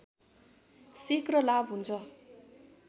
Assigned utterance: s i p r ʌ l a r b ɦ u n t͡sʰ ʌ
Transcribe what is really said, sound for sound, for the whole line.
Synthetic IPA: s i k r ʌ l a b ɦ u n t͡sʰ ʌ